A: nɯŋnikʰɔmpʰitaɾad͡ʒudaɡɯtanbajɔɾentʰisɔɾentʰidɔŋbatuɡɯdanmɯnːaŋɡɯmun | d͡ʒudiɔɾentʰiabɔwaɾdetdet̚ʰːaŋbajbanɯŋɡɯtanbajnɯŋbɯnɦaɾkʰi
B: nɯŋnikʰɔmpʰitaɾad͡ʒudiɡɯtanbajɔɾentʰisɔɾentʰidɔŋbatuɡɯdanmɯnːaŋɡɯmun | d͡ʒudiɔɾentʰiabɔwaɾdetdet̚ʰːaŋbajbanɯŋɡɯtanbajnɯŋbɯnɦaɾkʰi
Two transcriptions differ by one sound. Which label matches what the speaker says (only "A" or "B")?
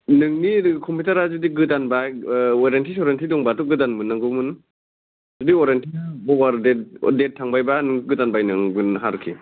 B